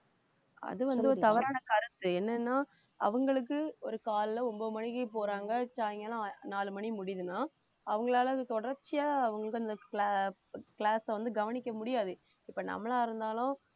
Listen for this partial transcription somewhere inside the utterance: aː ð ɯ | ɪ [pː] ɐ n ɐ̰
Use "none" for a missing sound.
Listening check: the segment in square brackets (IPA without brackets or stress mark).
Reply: pː